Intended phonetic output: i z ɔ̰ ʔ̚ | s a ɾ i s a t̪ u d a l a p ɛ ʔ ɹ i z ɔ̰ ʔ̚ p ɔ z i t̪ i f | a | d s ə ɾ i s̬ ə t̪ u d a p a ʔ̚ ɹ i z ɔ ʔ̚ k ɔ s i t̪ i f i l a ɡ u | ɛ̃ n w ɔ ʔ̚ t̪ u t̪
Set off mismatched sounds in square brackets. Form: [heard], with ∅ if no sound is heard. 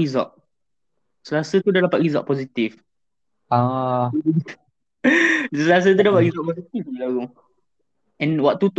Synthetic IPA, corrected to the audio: i z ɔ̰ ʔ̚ | s [ə] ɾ [a] s [ə] t̪ u d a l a p [a] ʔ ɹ i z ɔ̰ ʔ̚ p ɔ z i t̪ i f | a | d s ə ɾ [a] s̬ ə t̪ u d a p a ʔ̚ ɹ i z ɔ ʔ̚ [p] ɔ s i t̪ i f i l a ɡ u | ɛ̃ n w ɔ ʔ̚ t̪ u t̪